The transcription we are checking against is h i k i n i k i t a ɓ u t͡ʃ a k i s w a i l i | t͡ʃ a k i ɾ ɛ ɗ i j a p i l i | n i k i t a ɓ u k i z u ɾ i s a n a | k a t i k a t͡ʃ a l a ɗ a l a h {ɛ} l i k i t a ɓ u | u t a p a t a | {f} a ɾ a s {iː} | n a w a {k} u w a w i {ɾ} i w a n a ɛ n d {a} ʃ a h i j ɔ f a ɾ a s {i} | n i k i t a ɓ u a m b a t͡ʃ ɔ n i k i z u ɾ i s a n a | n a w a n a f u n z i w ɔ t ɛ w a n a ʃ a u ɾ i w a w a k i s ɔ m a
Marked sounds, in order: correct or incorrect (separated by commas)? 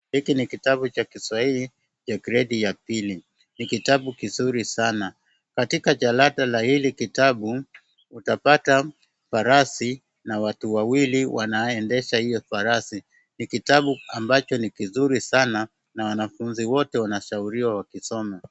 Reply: incorrect, correct, incorrect, incorrect, incorrect, incorrect, correct